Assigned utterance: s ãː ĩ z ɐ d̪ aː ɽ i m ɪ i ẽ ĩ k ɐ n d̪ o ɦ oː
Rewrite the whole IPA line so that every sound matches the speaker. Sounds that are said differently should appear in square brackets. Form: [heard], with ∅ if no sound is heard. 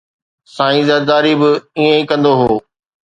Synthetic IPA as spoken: s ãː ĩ z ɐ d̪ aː [ɾ] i [b] ɪ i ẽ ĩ k [ɐ̃] n d̪ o ɦ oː